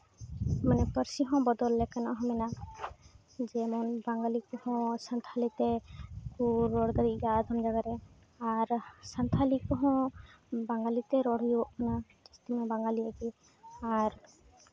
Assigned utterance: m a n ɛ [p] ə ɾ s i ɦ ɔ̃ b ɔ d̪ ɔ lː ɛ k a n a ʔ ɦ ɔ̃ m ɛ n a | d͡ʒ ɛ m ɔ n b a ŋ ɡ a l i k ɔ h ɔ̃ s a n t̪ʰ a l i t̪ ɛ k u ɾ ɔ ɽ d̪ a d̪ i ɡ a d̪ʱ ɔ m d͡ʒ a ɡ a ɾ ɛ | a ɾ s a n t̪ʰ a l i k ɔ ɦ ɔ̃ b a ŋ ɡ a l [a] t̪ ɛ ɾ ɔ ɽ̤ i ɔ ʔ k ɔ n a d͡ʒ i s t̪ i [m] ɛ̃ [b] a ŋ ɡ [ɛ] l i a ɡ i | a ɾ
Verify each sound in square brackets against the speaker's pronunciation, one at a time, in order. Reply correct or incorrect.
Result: correct, incorrect, correct, correct, incorrect

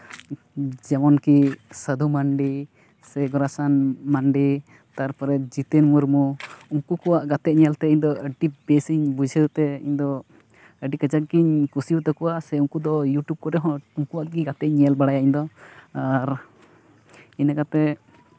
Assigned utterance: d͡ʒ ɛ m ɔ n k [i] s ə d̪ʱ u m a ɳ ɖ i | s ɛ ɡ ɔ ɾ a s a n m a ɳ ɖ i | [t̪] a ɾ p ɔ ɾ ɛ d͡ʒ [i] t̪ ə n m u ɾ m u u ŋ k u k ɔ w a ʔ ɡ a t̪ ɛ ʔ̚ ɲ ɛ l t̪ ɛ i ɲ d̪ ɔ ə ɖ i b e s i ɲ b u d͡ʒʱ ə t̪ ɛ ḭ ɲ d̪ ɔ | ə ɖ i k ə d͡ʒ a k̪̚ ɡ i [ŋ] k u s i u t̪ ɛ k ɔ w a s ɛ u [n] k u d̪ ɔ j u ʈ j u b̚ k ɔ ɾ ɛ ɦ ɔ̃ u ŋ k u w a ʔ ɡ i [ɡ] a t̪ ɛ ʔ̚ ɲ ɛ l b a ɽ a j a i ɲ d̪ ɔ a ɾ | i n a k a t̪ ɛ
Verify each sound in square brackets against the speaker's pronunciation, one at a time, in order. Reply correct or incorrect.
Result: correct, correct, correct, incorrect, incorrect, correct

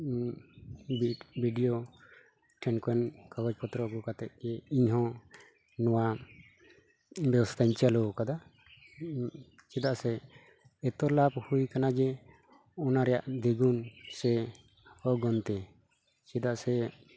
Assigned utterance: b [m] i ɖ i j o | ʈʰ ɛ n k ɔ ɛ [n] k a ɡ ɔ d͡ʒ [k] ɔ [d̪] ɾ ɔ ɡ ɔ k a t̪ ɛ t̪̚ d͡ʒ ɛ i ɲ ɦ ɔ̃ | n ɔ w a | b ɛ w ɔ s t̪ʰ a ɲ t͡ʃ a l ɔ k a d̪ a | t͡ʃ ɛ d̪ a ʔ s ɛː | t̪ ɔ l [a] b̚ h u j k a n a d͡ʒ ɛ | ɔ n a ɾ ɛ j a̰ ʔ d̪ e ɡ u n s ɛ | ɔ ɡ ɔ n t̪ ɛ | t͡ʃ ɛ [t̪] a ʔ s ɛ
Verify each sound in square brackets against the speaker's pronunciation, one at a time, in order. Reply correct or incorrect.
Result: incorrect, correct, incorrect, incorrect, correct, incorrect

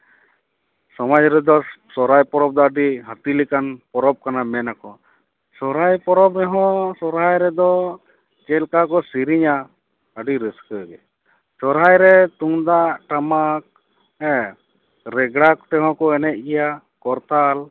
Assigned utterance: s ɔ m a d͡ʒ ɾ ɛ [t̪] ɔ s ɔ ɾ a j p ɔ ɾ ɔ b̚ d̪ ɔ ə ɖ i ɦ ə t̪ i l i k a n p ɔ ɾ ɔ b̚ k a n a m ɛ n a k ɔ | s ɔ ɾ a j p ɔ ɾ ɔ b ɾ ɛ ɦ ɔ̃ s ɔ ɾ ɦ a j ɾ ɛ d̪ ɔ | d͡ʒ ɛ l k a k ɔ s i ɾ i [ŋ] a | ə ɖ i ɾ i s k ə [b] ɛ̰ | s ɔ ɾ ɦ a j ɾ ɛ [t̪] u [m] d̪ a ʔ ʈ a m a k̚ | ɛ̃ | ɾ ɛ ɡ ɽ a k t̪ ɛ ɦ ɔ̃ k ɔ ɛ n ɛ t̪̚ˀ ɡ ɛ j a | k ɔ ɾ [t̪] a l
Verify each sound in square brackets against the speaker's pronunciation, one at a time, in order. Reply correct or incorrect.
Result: incorrect, incorrect, incorrect, correct, incorrect, correct

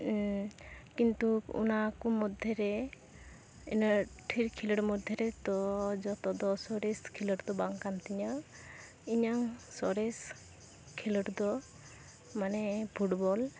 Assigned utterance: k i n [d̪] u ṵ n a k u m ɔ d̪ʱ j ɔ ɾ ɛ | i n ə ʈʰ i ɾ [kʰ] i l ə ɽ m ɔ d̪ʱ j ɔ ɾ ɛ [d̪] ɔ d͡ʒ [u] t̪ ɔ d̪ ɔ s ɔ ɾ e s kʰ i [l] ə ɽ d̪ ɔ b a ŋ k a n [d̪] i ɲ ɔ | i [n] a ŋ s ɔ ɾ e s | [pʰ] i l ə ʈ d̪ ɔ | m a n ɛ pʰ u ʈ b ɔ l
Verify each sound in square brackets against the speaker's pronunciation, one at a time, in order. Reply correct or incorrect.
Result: incorrect, correct, incorrect, incorrect, correct, incorrect, incorrect, incorrect

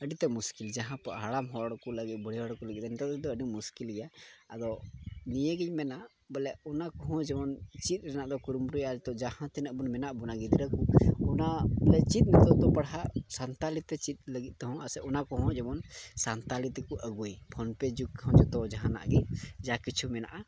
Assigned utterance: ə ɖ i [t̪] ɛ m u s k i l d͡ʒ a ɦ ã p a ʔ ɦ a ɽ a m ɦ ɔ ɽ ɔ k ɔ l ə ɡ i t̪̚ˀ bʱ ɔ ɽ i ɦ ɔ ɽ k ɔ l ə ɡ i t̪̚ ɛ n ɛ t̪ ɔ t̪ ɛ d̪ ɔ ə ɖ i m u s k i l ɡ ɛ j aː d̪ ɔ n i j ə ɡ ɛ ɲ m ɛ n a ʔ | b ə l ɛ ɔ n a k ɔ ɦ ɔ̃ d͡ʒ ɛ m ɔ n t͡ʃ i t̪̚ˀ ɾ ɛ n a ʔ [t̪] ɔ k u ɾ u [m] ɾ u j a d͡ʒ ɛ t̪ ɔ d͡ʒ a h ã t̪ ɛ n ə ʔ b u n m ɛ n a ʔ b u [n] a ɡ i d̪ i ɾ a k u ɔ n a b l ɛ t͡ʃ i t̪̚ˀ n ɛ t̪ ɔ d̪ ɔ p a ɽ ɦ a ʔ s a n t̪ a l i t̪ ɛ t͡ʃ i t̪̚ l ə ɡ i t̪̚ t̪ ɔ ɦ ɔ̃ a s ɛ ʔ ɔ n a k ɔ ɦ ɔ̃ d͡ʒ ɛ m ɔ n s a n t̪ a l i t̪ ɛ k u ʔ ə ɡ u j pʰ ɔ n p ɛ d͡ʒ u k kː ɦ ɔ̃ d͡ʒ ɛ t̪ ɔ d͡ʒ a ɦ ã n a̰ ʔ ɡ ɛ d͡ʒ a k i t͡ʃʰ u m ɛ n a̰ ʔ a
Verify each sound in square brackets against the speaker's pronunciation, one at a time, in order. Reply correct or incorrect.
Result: correct, incorrect, correct, correct

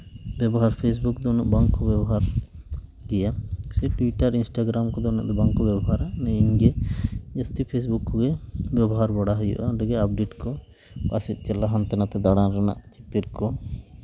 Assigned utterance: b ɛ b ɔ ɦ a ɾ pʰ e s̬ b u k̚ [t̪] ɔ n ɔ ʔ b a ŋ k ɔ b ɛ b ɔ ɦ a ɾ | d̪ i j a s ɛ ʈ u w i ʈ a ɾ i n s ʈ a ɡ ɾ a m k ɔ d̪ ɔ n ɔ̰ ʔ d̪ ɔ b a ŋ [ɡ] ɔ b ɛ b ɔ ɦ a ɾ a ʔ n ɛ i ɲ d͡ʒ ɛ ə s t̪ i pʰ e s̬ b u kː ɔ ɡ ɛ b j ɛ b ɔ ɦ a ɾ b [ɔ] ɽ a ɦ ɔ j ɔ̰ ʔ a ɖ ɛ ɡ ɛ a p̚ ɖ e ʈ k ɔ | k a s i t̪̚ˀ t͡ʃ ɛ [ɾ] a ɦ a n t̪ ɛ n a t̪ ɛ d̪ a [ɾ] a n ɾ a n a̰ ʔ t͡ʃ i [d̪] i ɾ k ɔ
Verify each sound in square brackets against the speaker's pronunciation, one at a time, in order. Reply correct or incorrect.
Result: incorrect, incorrect, correct, incorrect, incorrect, incorrect

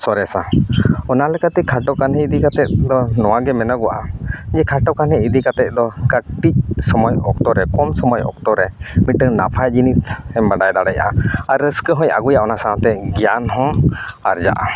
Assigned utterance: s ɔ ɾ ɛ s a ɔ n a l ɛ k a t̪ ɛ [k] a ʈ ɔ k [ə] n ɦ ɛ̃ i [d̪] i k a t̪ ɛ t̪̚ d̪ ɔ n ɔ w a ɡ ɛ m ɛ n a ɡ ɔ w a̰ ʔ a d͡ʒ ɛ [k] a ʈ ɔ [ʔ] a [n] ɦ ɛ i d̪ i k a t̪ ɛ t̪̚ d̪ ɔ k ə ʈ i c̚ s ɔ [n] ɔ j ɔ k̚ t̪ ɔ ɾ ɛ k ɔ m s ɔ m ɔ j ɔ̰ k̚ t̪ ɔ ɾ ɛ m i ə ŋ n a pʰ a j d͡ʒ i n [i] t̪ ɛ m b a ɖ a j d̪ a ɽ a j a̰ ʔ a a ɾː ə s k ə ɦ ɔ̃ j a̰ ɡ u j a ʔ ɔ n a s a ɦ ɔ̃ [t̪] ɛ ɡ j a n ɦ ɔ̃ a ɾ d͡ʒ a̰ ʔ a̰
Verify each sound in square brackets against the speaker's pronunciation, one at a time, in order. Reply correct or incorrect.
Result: incorrect, incorrect, correct, incorrect, incorrect, correct, incorrect, correct, correct

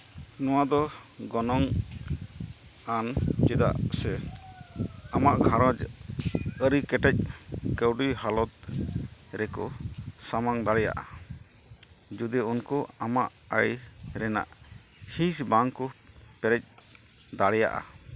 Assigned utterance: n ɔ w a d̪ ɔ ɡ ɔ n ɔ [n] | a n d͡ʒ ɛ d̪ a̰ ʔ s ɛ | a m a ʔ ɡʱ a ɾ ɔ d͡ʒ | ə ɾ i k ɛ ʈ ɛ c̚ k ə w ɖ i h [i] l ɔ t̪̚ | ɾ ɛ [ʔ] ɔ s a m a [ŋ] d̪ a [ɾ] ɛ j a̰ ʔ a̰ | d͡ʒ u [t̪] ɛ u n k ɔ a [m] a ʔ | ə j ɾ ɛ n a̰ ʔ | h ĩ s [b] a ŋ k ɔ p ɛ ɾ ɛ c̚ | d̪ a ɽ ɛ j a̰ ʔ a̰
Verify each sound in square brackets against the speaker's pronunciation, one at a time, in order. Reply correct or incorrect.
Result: incorrect, incorrect, incorrect, correct, incorrect, incorrect, correct, correct

